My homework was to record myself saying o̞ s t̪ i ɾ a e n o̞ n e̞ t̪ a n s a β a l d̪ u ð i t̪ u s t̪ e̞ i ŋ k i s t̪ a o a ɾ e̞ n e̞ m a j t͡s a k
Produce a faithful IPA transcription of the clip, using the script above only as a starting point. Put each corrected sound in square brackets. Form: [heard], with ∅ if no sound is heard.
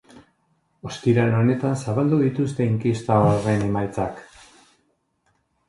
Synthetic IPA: o̞ s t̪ i ɾ a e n o̞ n e̞ t̪ a n s a β a l d̪ u ð i t̪ u s t̪ e̞ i ŋ k i s t̪ a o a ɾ e̞ n e̞ m a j t͡s a k